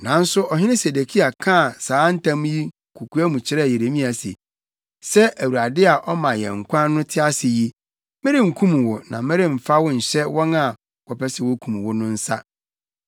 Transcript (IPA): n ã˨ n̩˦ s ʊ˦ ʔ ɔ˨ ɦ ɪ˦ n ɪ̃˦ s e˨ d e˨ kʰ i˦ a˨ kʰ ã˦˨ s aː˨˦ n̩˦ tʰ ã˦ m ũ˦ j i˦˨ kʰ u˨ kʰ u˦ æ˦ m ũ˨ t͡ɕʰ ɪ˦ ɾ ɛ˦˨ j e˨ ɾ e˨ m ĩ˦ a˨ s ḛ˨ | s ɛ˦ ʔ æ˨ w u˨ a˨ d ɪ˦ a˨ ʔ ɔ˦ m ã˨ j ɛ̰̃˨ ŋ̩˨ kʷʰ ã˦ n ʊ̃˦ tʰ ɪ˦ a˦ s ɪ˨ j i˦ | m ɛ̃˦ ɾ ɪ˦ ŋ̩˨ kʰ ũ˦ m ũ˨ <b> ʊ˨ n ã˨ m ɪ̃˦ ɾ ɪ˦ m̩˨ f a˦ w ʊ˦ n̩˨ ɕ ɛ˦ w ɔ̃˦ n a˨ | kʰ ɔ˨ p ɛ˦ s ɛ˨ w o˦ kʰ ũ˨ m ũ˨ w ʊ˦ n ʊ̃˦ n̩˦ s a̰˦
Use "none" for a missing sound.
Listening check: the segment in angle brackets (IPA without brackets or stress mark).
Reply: w